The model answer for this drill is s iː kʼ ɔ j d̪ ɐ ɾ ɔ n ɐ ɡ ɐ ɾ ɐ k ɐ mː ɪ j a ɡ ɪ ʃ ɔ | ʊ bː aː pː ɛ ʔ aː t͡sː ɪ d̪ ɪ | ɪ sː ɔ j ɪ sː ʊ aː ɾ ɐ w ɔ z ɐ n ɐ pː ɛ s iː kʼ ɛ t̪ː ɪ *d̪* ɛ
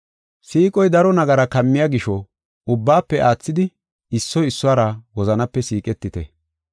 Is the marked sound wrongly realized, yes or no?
yes